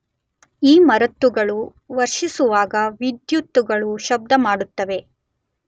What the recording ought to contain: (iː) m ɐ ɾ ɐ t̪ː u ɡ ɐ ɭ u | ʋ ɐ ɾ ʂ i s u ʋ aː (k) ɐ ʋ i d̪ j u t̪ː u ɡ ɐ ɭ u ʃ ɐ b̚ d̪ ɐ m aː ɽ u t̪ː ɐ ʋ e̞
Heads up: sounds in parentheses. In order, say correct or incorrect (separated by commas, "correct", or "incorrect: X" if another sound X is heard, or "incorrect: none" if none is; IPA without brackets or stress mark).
correct, incorrect: ɡ